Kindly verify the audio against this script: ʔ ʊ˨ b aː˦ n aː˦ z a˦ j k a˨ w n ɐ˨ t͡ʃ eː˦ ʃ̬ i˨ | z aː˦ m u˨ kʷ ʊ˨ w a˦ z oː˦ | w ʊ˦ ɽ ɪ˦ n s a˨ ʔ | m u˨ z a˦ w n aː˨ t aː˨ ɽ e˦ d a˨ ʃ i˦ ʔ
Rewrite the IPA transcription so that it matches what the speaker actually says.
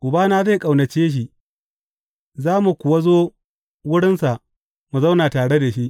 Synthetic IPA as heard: ʔ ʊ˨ b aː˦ n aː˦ z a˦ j kʼ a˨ w n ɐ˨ t͡ʃ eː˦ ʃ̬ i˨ | z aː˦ m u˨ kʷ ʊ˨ w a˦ z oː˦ | w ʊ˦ ɽ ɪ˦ n s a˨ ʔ | m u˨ z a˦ w n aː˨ t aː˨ ɽ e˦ d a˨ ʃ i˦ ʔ